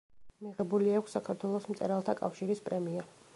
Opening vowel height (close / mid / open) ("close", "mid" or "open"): close